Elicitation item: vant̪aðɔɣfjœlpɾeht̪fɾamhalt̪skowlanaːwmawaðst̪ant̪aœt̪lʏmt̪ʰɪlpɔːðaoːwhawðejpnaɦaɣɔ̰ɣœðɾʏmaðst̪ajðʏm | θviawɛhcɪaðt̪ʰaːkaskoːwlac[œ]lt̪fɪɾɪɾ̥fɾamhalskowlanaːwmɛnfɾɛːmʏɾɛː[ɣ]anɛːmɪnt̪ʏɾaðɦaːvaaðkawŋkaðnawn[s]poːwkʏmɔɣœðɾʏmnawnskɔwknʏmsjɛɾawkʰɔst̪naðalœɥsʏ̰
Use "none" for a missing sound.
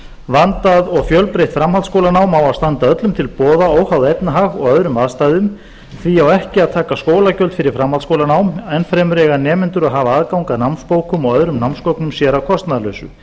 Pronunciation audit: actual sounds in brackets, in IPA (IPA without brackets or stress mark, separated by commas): œ, ɣ, s